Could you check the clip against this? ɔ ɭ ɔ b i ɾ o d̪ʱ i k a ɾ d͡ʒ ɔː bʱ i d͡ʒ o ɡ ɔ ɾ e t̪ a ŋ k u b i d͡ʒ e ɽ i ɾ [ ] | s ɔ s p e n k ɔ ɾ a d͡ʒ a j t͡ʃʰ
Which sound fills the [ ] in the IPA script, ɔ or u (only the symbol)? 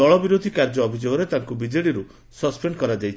u